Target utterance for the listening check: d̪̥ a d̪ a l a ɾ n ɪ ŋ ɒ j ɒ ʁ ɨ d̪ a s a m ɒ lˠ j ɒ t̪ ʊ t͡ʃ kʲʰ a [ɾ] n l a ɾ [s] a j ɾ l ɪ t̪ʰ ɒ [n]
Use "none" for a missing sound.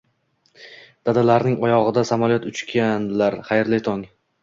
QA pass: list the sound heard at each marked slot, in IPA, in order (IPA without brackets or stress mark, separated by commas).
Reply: none, χ, ŋ